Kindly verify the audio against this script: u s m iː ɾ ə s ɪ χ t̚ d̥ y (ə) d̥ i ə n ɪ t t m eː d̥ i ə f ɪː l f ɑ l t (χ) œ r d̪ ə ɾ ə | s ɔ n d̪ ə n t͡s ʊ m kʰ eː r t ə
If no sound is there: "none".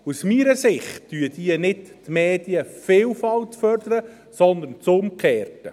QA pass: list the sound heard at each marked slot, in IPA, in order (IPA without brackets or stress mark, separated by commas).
ə, f